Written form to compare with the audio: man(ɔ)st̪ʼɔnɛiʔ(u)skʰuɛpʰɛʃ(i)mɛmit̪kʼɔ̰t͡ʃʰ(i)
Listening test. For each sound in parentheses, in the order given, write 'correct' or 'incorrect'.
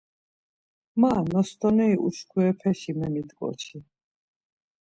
correct, correct, correct, correct

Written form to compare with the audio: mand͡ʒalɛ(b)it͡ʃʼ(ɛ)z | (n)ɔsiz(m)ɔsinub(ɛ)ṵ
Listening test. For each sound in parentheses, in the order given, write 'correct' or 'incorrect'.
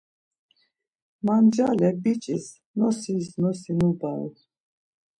correct, incorrect, correct, incorrect, incorrect

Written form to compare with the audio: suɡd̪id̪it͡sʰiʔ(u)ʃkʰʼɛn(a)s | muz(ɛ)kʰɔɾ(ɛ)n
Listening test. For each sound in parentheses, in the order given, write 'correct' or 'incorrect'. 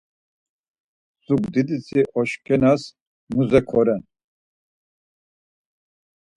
incorrect, correct, correct, correct

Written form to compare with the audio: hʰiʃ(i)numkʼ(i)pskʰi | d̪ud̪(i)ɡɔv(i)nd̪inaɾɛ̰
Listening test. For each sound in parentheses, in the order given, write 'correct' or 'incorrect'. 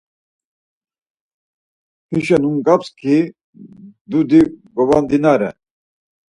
incorrect, incorrect, correct, incorrect

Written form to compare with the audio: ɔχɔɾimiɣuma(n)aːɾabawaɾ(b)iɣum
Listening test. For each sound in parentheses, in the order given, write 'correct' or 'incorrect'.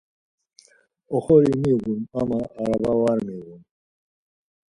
incorrect, incorrect

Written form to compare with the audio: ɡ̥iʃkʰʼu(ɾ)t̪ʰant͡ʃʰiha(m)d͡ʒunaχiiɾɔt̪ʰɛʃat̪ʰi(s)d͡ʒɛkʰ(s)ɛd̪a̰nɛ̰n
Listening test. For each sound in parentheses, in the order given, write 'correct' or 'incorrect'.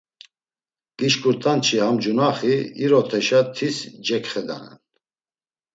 correct, correct, correct, incorrect

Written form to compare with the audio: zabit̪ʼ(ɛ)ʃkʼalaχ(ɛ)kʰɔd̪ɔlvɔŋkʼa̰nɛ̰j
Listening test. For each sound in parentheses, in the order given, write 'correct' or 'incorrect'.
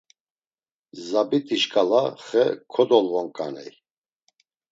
incorrect, correct

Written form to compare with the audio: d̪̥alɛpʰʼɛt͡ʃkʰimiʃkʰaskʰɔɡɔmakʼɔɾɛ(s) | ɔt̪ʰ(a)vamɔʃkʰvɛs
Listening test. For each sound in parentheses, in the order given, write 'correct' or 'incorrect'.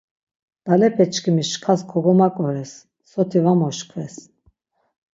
incorrect, incorrect

